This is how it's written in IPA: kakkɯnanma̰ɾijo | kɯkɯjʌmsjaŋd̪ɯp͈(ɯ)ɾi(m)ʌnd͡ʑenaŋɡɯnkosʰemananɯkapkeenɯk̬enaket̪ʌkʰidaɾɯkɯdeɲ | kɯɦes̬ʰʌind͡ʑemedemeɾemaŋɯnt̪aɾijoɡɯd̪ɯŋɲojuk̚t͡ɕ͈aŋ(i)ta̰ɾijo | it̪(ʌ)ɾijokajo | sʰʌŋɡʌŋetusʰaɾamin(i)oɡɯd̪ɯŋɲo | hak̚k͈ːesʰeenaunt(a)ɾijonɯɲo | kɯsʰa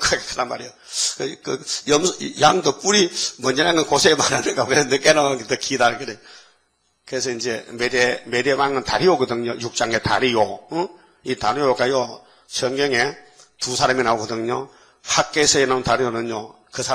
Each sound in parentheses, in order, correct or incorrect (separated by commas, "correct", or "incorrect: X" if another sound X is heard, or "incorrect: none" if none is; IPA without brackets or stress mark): incorrect: u, correct, incorrect: e, incorrect: a, incorrect: a, correct